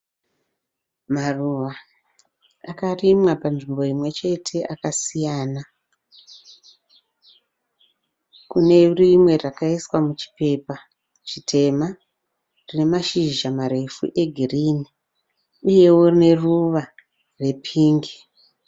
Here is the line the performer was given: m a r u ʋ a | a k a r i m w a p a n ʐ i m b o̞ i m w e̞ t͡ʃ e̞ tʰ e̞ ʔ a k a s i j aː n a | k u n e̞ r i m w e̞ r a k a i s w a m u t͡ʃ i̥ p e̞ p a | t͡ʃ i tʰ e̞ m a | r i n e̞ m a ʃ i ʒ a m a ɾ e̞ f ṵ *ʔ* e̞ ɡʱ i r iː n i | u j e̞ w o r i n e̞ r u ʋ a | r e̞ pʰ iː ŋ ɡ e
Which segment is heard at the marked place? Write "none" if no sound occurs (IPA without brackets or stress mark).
ʔ